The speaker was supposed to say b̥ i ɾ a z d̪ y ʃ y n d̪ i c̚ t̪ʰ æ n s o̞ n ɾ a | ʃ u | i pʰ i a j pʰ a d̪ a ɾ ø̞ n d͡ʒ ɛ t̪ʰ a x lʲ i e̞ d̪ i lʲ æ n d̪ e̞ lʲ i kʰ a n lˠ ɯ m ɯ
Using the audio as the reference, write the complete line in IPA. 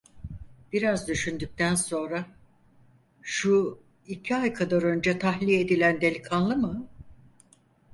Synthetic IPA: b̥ i ɾ a z d̪ y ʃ y n d̪ y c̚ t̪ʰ æ n s o̞ n ɾ a | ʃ u | i cʰ i a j kʰ a d̪ a ɾ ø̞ n d͡ʒ ɛ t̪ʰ a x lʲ i e̞ d̪ i lʲ æ n d̪ e̞ lʲ i kʰ a n lˠ ɯ m ɯ